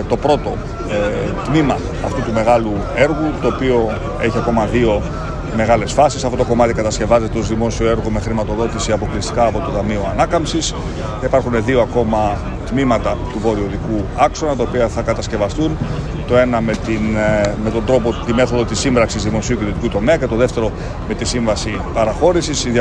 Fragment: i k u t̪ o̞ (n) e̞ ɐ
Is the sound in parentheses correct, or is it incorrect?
incorrect